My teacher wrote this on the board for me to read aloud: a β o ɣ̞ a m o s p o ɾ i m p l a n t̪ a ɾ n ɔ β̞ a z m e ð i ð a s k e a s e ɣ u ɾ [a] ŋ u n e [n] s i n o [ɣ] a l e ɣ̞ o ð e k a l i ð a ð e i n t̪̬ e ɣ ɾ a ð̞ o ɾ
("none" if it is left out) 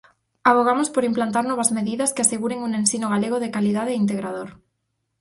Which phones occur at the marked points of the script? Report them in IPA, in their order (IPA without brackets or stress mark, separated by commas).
e, n, ɣ